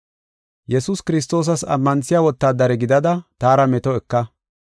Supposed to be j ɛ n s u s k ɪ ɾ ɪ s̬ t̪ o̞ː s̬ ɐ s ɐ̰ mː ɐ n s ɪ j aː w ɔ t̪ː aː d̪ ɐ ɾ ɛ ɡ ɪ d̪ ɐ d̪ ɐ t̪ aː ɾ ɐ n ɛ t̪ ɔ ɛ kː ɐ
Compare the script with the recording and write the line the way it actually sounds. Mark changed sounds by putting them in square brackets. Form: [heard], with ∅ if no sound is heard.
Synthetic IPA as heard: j ɛ [∅] s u s k ɪ ɾ ɪ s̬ t̪ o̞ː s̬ ɐ s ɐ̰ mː ɐ n s ɪ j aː w ɔ t̪ː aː d̪ ɐ ɾ ɛ ɡ ɪ d̪ ɐ d̪ ɐ t̪ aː ɾ ɐ [m] ɛ t̪ ɔ ɛ kː ɐ